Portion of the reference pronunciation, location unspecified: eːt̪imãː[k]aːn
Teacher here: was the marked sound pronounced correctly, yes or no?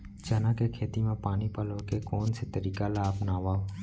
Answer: no